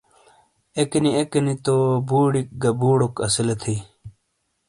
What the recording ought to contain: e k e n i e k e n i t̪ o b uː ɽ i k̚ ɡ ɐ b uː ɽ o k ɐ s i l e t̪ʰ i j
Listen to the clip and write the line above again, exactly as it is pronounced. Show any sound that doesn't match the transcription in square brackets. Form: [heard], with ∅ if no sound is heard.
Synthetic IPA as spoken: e k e n i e k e n i t̪ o b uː ɽ i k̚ ɡ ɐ b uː ɽ o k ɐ s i l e t̪ʰ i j